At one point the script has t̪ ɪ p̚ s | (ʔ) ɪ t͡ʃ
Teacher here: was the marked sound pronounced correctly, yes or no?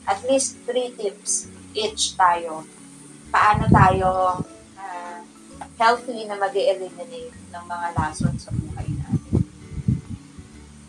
yes